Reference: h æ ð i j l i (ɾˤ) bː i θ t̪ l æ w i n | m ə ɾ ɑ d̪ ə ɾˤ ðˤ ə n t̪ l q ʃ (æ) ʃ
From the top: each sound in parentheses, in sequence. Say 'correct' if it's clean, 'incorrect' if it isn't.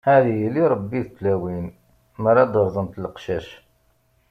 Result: correct, correct

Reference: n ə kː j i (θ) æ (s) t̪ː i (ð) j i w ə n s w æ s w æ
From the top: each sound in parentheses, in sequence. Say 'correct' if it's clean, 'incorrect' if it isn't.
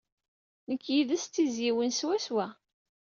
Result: incorrect: ð, correct, incorrect: z

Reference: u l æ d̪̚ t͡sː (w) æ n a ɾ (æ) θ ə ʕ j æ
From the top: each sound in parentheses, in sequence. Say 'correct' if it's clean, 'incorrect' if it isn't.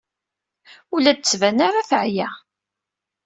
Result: incorrect: v, incorrect: a

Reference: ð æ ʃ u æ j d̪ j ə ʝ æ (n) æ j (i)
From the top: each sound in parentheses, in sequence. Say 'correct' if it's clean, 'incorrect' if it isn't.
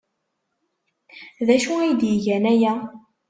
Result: correct, incorrect: æ

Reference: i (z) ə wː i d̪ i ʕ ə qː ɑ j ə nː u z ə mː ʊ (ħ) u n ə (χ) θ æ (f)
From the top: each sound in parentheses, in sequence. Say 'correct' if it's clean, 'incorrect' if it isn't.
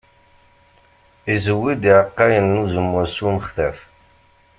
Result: correct, incorrect: s, correct, correct

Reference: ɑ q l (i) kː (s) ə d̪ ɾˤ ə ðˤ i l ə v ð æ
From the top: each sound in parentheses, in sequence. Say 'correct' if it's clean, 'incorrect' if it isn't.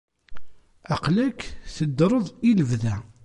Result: incorrect: æ, incorrect: θ

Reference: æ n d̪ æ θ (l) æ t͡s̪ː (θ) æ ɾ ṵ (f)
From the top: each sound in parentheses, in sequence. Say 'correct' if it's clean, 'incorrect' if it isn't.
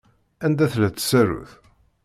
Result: correct, incorrect: s, incorrect: θ

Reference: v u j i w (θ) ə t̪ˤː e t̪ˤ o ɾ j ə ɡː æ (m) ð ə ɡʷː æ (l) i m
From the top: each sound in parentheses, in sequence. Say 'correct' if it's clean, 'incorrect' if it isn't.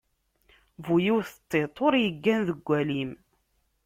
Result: correct, incorrect: n, correct

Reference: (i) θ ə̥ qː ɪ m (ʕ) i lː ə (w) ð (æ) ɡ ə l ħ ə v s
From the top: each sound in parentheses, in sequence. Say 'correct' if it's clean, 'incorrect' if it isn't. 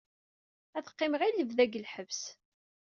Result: incorrect: æ, incorrect: ʁ, incorrect: v, correct

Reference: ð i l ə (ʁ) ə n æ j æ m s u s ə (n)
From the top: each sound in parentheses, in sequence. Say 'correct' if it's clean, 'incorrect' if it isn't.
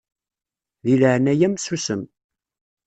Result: incorrect: ʕ, incorrect: m

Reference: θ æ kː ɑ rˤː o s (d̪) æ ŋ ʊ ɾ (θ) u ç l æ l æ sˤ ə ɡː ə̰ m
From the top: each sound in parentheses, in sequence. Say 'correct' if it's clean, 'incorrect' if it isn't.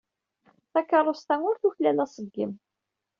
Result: incorrect: t̪, correct

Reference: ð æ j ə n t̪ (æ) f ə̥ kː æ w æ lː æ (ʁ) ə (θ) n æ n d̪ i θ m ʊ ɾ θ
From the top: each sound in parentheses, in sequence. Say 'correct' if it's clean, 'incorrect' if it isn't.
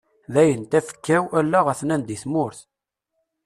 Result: correct, correct, correct

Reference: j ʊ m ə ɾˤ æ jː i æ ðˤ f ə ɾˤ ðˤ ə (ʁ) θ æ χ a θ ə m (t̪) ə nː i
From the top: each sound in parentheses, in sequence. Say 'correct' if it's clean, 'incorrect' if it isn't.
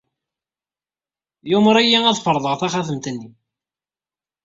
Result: correct, correct

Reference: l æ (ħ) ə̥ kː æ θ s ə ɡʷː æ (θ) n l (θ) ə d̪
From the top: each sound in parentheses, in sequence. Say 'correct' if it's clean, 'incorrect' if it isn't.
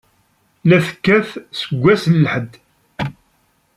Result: incorrect: θ, incorrect: s, incorrect: ħ

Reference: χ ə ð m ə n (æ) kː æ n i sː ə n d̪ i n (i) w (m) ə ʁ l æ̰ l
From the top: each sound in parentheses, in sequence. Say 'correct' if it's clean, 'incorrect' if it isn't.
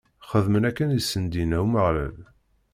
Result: correct, incorrect: æ, correct

